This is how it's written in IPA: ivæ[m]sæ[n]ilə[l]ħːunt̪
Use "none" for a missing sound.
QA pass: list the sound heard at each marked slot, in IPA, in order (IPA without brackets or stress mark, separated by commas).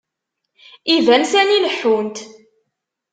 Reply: n, n, none